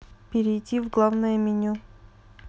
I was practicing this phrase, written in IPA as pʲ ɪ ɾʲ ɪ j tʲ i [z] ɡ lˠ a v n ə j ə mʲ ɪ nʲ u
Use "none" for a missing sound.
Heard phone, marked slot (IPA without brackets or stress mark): v